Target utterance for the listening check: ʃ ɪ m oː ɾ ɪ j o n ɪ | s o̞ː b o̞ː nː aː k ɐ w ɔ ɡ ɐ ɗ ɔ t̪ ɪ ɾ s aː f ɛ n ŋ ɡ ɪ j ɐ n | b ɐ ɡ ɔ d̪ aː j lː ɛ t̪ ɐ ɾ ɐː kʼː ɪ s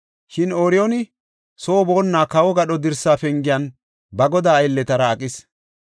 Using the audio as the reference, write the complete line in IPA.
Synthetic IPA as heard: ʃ ɪ n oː ɾ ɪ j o n ɪ | s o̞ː b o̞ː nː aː k ɐ w ɔ ɡ ɐ ɗ ɔ d̪ ɪ ɾ s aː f ɛ ŋ ɡ ɪ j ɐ n | b ɐ ɡ ɔ d̪ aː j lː ɛ t̪ ɐ ɾ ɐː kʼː ɪ s